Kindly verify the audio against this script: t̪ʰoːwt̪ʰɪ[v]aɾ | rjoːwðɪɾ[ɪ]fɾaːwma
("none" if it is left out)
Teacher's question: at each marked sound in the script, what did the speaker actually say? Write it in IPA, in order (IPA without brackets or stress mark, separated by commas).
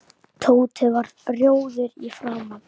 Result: v, i